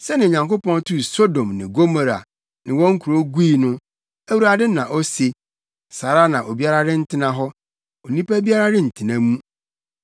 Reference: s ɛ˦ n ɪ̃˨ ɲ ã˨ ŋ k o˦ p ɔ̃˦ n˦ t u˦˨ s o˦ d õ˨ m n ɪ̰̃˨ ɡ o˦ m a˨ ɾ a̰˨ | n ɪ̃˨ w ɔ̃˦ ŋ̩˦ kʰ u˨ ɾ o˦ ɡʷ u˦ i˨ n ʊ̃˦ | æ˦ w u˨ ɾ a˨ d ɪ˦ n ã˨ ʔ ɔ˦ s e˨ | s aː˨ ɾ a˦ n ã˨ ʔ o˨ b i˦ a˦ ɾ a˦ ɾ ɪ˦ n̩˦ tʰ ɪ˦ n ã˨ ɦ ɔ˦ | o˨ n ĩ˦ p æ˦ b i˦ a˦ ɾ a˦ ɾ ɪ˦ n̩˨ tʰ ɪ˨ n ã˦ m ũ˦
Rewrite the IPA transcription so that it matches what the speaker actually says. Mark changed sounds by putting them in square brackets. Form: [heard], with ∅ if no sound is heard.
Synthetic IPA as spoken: s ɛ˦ n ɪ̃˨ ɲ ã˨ ŋ k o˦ p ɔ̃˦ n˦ t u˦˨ s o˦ d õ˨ m n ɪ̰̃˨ ɡ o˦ m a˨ ɾ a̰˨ | n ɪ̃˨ w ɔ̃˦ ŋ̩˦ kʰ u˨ ɾ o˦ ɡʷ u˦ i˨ n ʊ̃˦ | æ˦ w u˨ ɾ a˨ d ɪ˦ n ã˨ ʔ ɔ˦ s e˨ | s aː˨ ɾ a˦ n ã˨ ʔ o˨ b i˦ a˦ ɾ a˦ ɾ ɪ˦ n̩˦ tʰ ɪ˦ n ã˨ ɦ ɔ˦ | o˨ n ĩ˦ p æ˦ b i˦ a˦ ɾ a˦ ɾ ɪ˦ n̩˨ tʰ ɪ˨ n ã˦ m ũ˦